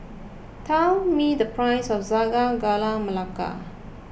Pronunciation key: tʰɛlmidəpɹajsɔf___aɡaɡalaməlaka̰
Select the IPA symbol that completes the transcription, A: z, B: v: A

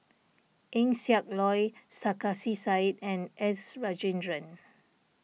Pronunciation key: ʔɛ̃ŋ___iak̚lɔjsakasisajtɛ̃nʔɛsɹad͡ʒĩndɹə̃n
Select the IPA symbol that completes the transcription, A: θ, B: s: B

